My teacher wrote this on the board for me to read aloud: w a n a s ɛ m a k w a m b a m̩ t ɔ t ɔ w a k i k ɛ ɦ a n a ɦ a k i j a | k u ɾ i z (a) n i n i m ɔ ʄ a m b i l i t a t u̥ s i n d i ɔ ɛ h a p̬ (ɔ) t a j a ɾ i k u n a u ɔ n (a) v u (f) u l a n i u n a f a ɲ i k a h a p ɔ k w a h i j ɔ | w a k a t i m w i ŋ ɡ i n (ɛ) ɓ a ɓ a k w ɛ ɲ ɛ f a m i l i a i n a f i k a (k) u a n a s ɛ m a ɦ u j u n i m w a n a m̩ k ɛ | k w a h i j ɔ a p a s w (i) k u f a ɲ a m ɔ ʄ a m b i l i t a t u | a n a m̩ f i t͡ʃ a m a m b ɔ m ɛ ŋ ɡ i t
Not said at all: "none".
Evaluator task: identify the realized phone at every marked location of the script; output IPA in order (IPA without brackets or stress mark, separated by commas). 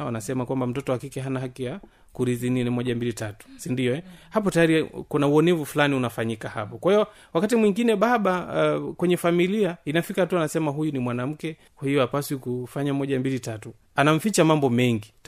i, ɔ, ɛ, f, ɛ, t, i